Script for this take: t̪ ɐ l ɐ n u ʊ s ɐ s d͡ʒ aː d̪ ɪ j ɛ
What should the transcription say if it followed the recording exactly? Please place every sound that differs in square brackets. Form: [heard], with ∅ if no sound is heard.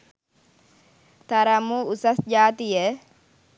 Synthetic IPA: t̪ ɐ [ɾ] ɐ [m] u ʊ s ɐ s d͡ʒ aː [t̪] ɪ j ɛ